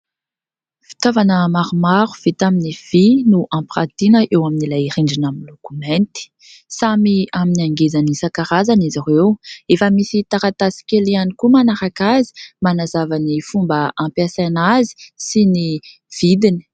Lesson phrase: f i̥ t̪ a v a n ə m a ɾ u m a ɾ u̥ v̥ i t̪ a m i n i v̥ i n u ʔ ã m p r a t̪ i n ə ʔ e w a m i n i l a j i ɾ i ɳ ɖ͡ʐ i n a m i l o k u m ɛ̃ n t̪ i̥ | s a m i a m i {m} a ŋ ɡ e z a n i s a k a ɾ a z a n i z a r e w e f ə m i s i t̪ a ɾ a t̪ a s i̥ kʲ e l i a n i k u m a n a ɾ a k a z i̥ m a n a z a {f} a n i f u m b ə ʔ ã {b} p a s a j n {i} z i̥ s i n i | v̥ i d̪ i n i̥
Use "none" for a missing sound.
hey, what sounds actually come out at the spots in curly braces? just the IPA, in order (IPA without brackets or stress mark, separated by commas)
n, v, m, a